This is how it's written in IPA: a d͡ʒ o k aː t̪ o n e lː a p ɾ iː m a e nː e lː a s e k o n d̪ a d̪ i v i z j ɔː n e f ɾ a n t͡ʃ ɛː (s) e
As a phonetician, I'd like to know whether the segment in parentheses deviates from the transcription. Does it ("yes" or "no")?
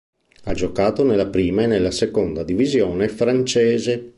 yes